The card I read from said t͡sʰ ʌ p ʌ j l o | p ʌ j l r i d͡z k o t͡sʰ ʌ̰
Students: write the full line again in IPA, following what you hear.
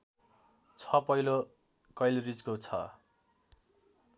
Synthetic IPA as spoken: t͡sʰ ʌ p ʌ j l o | k ʌ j l r i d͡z k o t͡sʰ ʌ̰